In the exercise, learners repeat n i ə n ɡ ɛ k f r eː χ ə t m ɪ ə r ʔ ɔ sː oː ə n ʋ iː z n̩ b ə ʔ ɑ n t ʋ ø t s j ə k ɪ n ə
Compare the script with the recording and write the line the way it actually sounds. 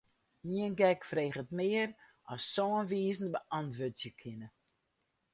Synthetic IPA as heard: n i ə n ɡ ɛ k f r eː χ ə t m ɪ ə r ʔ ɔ sː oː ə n ʋ iː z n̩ b ə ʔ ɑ n t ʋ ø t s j ə kʰ ɪ n ə

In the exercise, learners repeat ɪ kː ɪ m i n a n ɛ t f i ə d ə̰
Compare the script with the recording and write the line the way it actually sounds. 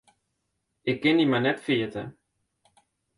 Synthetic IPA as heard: ɪ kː ɪ n i m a n ɛ t f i ə t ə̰

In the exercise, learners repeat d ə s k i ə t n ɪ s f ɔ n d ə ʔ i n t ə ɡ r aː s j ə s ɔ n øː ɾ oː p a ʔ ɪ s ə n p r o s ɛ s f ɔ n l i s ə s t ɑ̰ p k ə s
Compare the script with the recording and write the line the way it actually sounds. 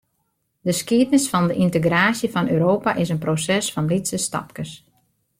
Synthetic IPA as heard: d ə s k i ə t n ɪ s f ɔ n d ə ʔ i n t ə ɡ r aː s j ə f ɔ n øː ɾ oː p a ʔ ɪ s ə n p r o s ɛ s f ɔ n l i s ə s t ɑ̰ p k ə s

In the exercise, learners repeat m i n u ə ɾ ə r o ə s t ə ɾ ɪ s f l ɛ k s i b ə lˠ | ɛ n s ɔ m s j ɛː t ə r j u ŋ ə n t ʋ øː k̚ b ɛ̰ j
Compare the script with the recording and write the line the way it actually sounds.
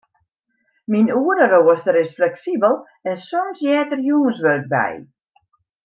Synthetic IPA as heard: m i n u ə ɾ ə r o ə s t ə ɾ ɪ s f l ɛ k s i b ə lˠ | ɛ n s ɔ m s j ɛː t ə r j u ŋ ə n s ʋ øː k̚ b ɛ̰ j

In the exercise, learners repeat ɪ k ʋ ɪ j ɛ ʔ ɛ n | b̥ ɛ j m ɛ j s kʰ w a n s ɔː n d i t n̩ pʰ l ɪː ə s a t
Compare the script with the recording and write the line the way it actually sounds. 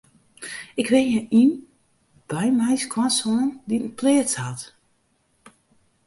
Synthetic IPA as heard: ɪ k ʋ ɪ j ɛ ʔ i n | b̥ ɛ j m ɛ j s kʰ w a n s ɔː n d i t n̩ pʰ l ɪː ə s a t

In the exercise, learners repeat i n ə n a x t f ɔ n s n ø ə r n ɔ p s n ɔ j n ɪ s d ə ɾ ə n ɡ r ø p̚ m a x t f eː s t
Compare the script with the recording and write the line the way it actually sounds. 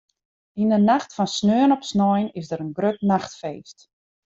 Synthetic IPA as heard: i n ə n a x t f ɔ n s n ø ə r n ɔ p s n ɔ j n ɪ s d ə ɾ ə n ɡ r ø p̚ n a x t f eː s t

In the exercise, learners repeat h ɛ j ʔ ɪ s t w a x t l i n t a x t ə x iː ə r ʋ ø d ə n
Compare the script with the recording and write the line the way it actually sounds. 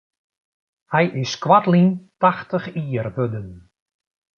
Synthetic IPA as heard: h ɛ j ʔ ɪ s k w a t l i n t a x t ə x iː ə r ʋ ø d ə n

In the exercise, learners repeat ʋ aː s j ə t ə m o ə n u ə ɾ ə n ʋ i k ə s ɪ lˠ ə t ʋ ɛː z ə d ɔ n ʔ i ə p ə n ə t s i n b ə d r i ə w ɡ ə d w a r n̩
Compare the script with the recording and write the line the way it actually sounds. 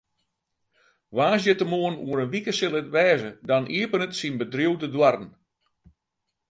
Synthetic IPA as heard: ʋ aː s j ə t ə m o ə n u ə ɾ ə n ʋ i k ə s ɪ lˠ ə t ʋ ɛː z ə d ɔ n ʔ i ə p ə n ə t s i n b ə d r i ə w d ə d w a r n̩

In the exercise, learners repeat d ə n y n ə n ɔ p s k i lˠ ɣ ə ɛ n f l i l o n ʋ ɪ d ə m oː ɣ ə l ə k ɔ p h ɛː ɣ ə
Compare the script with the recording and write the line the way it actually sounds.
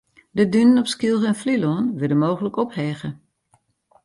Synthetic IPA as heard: d ə d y n ə n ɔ p s k i lˠ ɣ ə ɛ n f l i l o n ʋ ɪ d ə m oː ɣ ə l ə k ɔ p h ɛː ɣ ə

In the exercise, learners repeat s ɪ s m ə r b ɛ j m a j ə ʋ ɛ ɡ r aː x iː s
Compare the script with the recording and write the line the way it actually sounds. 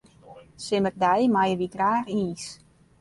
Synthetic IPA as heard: s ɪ m ə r d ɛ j m a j ə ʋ i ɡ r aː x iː s

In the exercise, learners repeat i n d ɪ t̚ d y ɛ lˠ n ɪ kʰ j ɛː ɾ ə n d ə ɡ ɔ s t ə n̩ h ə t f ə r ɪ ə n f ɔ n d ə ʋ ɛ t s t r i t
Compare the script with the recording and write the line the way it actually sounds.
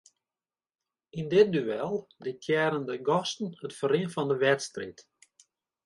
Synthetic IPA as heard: i n d ɪ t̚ d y ɛ lˠ d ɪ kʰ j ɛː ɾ ə n d ə ɡ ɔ s t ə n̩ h ə t f ə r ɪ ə n f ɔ n d ə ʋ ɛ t s t r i t

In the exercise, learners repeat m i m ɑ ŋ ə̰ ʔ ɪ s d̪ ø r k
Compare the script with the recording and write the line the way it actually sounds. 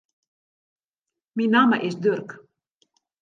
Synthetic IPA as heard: m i n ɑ m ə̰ ʔ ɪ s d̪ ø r k

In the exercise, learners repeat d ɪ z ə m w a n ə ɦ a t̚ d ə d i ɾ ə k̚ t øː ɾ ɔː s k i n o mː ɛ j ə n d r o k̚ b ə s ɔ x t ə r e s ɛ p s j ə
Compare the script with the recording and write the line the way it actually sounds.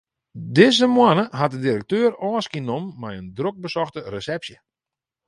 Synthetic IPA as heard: d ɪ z ə m w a n ə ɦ a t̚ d ə d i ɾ ə k̚ t øː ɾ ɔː s k i n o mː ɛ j ə n d r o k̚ b ə s ɔ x t ə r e s ɛ p s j ə

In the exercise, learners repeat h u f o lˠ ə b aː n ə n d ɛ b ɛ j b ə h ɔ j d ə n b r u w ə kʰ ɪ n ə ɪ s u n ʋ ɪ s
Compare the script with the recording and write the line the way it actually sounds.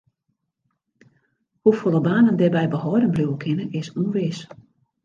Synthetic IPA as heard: h u f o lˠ ə b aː n ə n d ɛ b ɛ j b ə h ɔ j d ə n b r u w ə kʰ ɪ n ə ɪ s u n ʋ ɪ s

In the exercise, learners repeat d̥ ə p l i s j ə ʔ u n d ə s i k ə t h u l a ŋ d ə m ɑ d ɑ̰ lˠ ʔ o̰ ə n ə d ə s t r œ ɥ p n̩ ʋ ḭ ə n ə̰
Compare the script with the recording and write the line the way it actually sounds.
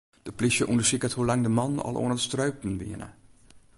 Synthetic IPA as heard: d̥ ə p l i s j ə ʔ u n d ə s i k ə t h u l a ŋ d ə m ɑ n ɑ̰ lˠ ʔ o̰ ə n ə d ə s t r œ ɥ p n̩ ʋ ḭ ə n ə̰

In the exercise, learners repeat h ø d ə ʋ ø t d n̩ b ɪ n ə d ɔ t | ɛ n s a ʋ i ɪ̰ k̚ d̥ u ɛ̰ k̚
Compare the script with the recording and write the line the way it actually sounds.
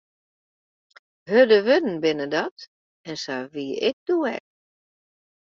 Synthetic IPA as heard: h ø d ə ʋ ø d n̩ b ɪ n ə d ɔ t | ɛ n s a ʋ i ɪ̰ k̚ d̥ u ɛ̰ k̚

